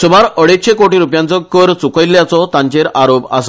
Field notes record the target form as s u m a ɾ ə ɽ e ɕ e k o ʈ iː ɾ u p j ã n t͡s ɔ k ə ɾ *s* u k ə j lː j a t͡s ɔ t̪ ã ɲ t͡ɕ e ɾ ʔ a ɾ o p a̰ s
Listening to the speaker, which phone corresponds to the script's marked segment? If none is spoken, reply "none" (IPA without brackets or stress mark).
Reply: t͡s